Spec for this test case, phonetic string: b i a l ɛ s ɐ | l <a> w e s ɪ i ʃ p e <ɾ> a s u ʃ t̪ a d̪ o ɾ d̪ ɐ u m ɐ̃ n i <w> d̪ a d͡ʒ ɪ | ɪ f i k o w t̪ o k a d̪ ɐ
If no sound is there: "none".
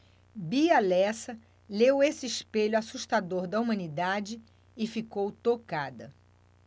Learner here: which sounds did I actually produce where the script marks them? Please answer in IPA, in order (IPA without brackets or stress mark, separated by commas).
e, ʎ, none